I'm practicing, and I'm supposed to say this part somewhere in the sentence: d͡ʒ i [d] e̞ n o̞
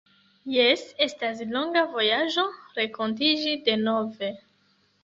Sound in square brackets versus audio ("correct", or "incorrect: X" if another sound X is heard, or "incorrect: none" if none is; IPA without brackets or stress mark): correct